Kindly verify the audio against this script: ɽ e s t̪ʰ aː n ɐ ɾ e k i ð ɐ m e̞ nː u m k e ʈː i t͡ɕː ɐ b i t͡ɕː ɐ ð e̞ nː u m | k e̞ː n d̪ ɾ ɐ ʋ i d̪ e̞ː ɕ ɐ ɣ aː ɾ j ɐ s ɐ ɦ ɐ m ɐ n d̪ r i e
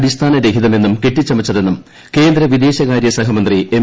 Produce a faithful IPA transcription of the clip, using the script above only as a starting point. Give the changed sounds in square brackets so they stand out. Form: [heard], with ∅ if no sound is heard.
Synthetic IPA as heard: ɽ [i] s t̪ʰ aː n ɐ ɾ e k i ð ɐ m e̞ nː u m k e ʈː i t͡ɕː ɐ [m] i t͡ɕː ɐ ð e̞ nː u m | k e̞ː n d̪ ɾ ɐ ʋ i d̪ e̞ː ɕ ɐ ɣ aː ɾ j ɐ s ɐ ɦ ɐ m ɐ n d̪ r i e

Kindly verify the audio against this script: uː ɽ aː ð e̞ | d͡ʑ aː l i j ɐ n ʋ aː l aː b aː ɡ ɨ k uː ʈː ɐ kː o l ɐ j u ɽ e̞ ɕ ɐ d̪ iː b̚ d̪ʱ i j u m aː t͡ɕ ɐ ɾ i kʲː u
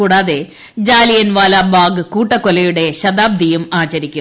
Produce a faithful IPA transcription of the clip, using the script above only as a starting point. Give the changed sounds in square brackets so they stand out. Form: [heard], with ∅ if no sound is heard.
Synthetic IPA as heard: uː ɽ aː ð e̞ | d͡ʑ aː l i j ɐ n ʋ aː l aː b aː ɡ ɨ k uː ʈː ɐ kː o l ɐ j u ɽ e̞ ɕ ɐ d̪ [aː] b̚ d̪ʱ i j u m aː t͡ɕ ɐ ɾ i kʲː u

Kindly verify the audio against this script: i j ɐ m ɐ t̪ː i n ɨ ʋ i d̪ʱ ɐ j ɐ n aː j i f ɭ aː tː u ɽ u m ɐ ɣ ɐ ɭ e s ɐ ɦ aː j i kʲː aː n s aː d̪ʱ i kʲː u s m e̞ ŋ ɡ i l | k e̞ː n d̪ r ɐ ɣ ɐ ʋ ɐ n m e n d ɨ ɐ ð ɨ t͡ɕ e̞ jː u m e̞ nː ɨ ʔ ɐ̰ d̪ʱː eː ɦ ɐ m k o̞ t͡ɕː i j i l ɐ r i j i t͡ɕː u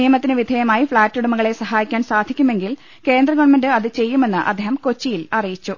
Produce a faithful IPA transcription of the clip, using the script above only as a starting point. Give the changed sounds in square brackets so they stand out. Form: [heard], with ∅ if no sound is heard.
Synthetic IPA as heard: i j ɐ m ɐ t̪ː i n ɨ ʋ i d̪ʱ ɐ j ɐ [m] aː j i f ɭ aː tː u ɽ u m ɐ ɣ ɐ ɭ e s ɐ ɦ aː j i kʲː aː n s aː d̪ʱ i kʲː u [∅] m e̞ ŋ ɡ i l | k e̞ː n d̪ r ɐ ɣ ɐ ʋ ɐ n m e n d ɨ ɐ ð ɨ t͡ɕ e̞ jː u m e̞ nː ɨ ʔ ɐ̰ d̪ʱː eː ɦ ɐ m k o̞ t͡ɕː i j i l ɐ r i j i t͡ɕː u

